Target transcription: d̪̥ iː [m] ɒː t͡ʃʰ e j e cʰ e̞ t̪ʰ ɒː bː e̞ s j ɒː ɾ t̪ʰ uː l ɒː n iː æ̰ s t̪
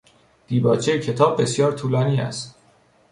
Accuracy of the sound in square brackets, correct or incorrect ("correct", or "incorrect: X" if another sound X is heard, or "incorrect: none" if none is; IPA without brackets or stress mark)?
incorrect: b